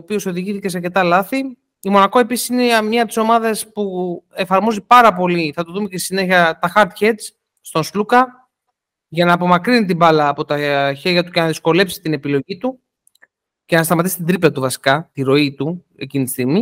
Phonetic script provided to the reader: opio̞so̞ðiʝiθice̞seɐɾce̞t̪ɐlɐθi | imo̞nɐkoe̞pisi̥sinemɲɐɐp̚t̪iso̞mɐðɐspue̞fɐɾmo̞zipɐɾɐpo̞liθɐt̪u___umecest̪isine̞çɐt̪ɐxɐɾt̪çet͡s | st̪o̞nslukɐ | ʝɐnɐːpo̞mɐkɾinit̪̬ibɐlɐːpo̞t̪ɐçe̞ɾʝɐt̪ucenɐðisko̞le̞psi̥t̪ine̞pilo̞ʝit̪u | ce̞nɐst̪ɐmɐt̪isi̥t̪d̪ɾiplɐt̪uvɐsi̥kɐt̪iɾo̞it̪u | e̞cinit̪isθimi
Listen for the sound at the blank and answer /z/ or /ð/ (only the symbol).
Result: ð